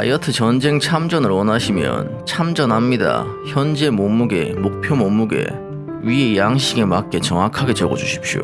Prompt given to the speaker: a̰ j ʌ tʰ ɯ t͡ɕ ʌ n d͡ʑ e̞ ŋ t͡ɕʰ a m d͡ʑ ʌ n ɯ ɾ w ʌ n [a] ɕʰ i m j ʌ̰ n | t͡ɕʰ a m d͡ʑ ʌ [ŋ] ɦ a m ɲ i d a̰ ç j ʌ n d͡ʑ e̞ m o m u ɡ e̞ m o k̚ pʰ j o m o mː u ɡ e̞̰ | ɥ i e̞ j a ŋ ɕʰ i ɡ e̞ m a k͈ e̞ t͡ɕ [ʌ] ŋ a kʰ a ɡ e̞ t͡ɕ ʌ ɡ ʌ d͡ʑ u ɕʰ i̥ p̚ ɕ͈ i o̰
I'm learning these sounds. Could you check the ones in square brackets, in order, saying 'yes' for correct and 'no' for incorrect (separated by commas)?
yes, no, yes